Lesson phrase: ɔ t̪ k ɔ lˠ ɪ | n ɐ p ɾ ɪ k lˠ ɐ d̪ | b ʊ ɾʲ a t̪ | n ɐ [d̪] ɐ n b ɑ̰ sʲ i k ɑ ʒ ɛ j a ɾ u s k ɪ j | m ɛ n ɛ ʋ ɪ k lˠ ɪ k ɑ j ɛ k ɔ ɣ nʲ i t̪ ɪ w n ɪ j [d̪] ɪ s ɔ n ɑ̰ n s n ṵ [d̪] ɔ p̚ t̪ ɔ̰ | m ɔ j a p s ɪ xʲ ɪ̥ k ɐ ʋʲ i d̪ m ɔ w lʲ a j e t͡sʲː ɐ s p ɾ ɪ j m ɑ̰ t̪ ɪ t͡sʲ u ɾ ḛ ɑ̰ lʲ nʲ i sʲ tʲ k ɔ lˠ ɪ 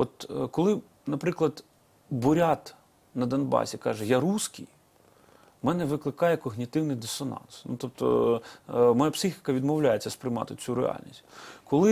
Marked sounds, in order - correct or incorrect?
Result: correct, correct, incorrect: t̪

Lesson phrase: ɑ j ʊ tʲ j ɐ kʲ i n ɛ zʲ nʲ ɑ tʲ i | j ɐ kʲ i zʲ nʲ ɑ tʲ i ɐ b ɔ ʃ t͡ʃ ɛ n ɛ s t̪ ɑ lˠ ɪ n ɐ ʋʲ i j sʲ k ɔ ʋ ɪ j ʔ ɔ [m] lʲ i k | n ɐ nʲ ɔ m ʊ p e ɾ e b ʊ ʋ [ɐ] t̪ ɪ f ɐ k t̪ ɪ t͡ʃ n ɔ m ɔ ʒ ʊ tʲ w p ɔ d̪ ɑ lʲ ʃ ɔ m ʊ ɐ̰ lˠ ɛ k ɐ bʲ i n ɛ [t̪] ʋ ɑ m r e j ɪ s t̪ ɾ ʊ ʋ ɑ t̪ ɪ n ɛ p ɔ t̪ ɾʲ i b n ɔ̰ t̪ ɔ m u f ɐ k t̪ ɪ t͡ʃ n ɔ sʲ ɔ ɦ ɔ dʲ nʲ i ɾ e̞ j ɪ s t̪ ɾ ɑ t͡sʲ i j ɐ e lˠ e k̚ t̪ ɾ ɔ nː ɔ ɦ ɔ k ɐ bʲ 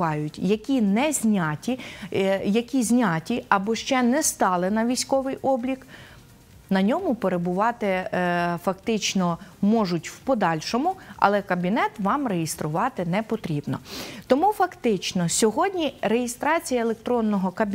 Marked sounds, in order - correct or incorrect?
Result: incorrect: b, incorrect: ɑ, correct

